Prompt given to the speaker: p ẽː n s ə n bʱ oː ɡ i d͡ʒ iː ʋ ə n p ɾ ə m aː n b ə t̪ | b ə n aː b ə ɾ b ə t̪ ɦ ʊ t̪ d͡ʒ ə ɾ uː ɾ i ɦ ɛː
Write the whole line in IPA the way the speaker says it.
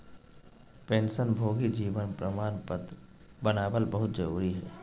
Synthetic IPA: p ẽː n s ə n bʱ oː ɡ i d͡ʒ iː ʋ ə n p ɾ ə m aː n p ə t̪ | b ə n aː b ə l b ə ɦ ʊ t̪ d͡ʒ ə ɾ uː ɾ i ɦ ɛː